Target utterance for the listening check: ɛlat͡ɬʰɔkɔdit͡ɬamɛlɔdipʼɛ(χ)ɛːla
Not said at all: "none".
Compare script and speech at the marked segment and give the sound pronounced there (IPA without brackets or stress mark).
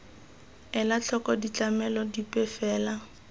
f